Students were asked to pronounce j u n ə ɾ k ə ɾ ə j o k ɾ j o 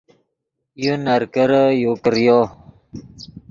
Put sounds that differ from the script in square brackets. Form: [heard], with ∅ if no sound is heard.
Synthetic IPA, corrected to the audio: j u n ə ɾ k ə ɾ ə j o k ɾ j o